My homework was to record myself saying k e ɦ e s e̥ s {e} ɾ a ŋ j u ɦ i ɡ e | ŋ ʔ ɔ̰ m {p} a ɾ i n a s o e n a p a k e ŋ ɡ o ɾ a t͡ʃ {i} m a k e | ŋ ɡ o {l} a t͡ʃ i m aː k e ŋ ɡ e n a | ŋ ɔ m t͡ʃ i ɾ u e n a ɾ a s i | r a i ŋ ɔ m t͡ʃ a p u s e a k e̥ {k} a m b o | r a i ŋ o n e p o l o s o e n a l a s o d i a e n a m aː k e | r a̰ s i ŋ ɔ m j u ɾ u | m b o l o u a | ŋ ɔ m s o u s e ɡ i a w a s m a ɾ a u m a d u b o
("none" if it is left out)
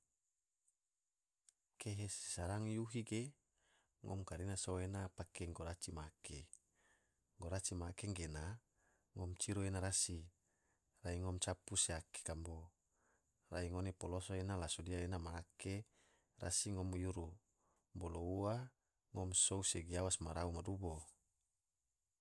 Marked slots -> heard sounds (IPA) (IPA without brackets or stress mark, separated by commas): a, k, i, ɾ, k